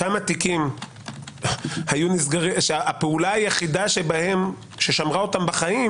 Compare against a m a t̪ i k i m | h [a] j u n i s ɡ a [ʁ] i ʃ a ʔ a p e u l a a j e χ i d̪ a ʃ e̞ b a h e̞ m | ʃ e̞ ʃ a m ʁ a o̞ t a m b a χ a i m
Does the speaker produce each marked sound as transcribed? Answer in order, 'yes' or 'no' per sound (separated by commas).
yes, yes